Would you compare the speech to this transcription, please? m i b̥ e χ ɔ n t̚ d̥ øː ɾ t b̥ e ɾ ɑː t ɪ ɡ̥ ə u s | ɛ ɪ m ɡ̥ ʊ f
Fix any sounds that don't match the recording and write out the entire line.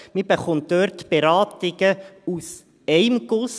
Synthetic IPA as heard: m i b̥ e χ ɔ n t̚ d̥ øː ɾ t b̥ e ɾ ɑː t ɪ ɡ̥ ə u s | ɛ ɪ m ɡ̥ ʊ s